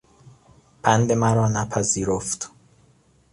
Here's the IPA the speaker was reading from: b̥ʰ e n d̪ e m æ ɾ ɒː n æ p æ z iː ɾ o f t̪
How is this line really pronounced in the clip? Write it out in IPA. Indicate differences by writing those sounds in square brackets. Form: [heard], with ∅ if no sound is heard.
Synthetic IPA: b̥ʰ [æ] n d̪ e m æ ɾ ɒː n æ [pʰ] æ z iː ɾ o f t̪